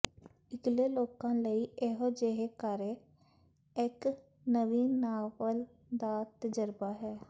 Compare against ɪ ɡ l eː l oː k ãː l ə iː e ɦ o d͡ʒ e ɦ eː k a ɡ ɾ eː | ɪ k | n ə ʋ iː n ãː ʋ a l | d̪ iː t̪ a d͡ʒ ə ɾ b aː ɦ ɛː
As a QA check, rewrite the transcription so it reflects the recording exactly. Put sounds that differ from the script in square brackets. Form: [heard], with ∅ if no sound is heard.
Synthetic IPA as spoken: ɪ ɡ l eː l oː k ãː l ə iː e ɦ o d͡ʒ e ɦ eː k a [∅] ɾ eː | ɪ k | n ə ʋ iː n [aː] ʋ [ə] l | d̪ [aː] t̪ [ə] d͡ʒ ə ɾ b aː ɦ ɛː